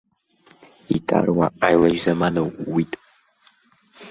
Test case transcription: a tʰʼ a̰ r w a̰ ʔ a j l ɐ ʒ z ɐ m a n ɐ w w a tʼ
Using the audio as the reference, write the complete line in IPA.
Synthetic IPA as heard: i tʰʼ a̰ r w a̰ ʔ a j l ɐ ʒ z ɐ m a n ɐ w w i tʼ